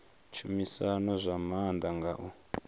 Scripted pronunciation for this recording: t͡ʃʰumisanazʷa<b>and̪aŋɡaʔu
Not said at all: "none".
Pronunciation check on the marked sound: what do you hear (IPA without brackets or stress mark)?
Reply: m